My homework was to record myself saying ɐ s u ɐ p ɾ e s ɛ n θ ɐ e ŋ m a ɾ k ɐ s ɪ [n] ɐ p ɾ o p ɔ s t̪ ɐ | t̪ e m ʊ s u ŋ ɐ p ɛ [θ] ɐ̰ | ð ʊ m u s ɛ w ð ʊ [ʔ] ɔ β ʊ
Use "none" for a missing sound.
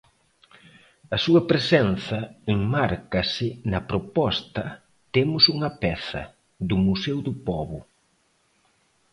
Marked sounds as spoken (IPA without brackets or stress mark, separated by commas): n, θ, p